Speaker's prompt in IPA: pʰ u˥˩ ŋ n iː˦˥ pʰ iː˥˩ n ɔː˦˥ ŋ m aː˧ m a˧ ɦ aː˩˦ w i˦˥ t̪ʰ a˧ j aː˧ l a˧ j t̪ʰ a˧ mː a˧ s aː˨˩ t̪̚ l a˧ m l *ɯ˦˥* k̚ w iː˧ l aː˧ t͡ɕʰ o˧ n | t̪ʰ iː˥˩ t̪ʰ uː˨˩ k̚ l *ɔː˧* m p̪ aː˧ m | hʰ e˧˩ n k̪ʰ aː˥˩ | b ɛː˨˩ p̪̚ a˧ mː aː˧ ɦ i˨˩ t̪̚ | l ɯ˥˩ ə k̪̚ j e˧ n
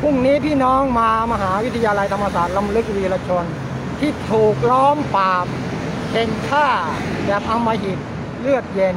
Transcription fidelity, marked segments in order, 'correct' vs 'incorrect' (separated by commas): correct, incorrect